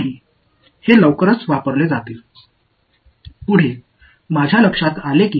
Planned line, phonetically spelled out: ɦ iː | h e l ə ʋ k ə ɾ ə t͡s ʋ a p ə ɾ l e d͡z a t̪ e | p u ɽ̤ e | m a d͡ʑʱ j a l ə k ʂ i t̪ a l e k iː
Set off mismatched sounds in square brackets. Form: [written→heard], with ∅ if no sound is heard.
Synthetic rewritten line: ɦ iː | h e l ə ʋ k ə ɾ ə t͡s ʋ a p ə ɾ l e d͡z a t̪ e | p u ɽ̤ e | m a d͡ʑʱ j a l ə k ʂ [i→a] t̪ a l e k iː